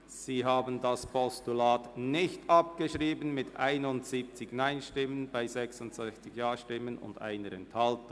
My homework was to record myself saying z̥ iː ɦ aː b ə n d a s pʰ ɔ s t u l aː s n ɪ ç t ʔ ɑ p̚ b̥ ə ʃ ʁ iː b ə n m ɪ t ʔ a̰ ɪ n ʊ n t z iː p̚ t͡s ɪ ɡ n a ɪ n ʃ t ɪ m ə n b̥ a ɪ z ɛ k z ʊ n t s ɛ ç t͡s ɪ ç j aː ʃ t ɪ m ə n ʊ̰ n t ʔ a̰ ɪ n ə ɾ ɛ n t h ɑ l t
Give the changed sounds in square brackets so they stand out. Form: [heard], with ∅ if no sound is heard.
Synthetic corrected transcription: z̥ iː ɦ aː b ə n d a s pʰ ɔ s t u l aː [t] n ɪ ç t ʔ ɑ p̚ [ɡ̥] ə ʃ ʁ iː b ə n m ɪ t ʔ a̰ ɪ n ʊ n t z iː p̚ t͡s ɪ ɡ n a ɪ n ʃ t ɪ m ə n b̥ a ɪ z ɛ k [s] ʊ n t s ɛ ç t͡s ɪ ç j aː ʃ t ɪ m ə n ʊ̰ n [d] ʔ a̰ ɪ n ə ɾ ɛ n t h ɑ l t